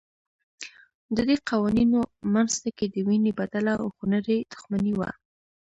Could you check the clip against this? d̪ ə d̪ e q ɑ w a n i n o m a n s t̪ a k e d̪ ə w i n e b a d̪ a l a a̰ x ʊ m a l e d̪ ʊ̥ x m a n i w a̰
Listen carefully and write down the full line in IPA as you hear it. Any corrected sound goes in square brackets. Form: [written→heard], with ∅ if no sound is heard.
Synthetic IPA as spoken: d̪ ə d̪ e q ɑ w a n i n o m a n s t̪ a k e d̪ ə w i n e b a d̪ a l a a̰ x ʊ [m→n] a [l→ɾ] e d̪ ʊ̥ x m a n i w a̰